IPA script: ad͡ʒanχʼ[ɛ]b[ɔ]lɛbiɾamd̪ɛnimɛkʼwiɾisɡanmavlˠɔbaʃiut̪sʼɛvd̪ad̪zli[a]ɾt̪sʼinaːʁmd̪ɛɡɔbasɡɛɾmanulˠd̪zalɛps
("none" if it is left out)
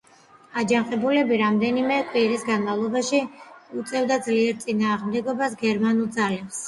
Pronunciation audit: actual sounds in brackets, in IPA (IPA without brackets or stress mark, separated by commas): ɛ, u, ɛ